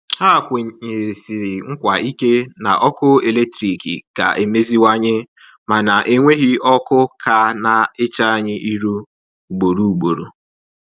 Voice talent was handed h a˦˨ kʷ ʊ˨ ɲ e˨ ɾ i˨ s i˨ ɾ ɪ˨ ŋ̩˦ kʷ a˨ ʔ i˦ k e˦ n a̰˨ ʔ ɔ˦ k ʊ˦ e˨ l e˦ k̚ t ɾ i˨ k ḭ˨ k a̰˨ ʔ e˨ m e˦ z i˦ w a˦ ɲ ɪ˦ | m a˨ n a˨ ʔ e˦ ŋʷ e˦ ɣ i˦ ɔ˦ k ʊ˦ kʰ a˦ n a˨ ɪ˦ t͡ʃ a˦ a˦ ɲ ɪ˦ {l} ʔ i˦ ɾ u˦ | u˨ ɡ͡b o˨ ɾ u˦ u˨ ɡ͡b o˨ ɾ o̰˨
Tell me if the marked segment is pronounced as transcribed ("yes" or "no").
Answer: no